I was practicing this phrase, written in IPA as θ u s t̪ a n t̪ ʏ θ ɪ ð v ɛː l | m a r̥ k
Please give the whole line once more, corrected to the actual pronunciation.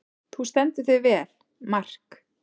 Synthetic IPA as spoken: θ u s t̪ ɛ n t̪ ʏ θ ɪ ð v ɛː l | m a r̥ k

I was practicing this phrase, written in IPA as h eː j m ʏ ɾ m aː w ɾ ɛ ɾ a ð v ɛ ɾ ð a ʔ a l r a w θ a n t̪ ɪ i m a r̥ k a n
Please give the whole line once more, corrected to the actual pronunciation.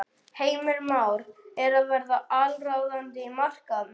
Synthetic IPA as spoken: h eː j m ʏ ɾ m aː w ɾ ɛ ɾ a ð v ɛ ɾ ð a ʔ a l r a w ð a n t̪ ɪ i m a r̥ k a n

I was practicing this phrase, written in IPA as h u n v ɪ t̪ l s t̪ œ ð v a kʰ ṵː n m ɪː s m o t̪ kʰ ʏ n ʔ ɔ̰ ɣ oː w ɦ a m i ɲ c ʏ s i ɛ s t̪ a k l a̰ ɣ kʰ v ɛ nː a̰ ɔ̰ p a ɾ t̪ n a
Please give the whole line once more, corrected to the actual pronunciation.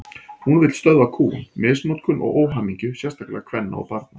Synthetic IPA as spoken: h u n v ɪ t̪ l s t̪ œ ð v a kʰ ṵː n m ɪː s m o t̪ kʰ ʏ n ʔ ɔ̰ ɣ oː w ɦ a m i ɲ c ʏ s j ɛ s t̪ a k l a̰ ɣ kʰ v ɛ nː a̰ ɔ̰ p a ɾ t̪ n a

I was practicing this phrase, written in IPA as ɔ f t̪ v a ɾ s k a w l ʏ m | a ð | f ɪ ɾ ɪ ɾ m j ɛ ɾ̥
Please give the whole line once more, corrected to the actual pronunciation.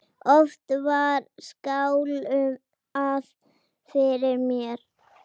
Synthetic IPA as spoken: ɔ f t̪ v a ɾ s k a w l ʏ m | a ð | f ɪ ɾ ɪ ɾ m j ɛ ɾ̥

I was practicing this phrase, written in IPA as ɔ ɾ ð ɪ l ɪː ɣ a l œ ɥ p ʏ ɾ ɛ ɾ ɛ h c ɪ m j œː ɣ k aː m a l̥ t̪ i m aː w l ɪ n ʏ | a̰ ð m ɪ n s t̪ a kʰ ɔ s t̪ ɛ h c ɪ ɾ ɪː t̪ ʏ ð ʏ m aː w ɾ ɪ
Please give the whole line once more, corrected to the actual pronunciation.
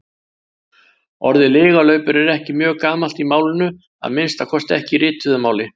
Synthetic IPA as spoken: ɔ ɾ ð ɪ l ɪː ɣ a l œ ɥ p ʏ ɾ ɛ ɾ ɛ h c ɪ m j œː ɣ k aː m a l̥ t̪ i m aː w l ɪ n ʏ | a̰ ð m ɪ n s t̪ a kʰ ɔ s t̪ ɛ h c ɪ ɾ ɪː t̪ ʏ ð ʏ m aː w l ɪ

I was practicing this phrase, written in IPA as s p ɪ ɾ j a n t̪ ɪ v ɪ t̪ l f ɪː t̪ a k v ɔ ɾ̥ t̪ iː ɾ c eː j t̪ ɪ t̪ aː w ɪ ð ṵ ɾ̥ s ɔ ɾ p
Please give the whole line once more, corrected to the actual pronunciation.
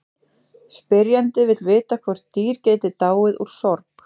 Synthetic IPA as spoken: s p ɪ ɾ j a n t̪ ɪ v ɪ t̪ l v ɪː t̪ a kʰ v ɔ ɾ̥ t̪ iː ɾ c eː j t̪ ɪ t̪ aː w ɪ ð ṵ ɾ̥ s ɔ ɾ p

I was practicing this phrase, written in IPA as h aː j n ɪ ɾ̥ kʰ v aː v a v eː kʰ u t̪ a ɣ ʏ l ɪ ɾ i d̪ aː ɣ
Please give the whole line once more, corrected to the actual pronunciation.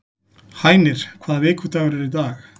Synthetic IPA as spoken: h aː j n ɪ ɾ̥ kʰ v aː ð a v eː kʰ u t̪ a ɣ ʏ ɾ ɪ ɾ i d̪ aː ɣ

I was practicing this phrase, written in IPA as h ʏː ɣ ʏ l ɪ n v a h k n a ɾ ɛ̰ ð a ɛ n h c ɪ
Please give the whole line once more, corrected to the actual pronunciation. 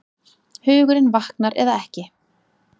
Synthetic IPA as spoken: h ʏː ɣ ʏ ɾ ɪ n v a h k n a ɾ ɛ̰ ð a ɛ h c ɪ

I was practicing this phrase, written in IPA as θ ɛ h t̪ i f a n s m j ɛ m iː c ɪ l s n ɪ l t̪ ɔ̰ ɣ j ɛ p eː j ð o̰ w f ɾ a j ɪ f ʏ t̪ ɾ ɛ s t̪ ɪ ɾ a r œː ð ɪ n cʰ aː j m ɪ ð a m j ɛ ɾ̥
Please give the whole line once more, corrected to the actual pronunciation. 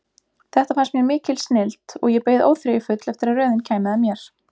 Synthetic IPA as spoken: θ ɛ h t̪ a f a n s m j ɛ m ɪː c ɪ l s n ɪ l t̪ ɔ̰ ɣ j ɛ p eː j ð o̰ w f ɾ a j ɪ f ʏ t̪ l ɛ f t̪ ɪ ɾ a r œː ð ɪ n cʰ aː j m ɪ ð a m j ɛ ɾ̥

